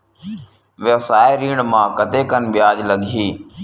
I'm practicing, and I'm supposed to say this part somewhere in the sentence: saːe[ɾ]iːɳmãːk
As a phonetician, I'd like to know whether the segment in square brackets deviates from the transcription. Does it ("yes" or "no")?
no